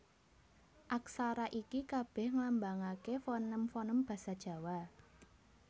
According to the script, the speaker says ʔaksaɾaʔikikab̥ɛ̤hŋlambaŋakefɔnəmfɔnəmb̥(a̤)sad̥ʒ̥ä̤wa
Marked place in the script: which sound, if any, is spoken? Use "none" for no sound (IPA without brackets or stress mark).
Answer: a̤